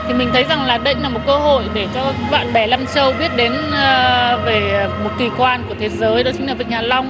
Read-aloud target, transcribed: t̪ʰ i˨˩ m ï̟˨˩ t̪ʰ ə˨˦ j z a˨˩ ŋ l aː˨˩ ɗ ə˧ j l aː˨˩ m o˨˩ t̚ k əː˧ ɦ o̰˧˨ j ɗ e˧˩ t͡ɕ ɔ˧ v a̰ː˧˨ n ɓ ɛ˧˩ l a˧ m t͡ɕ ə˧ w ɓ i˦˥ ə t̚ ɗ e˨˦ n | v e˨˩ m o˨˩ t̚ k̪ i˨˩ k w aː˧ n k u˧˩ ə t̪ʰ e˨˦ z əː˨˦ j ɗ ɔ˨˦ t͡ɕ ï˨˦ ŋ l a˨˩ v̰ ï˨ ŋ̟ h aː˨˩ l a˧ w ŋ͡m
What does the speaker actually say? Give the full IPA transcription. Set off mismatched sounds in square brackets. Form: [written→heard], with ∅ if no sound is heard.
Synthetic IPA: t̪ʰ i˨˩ m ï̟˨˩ t̪ʰ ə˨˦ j z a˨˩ ŋ l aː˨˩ ɗ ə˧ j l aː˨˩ m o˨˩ t̚ k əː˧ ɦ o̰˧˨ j ɗ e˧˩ t͡ɕ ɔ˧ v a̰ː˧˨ n ɓ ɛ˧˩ l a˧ m t͡ɕ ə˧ w ɓ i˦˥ ə t̚ ɗ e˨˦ n | v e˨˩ m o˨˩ t̚ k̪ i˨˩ k w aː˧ n k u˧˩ ə t̪ʰ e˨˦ z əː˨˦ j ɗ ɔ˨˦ t͡ɕ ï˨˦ ŋ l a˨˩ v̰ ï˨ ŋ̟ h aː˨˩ l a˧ w ŋ͡m